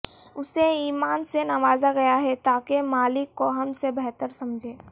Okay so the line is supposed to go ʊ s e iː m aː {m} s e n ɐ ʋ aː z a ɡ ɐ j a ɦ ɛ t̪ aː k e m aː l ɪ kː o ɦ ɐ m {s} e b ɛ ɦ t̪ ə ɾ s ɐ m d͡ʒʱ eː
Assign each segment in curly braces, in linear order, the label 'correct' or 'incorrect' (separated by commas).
incorrect, correct